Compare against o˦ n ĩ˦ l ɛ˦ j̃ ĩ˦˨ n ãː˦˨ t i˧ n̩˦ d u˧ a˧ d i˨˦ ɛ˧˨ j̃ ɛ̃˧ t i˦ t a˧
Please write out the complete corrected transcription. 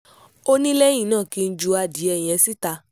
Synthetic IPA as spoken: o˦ n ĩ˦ l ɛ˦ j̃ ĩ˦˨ n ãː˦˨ k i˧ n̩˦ d͡ʒ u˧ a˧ d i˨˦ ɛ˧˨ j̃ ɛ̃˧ s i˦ t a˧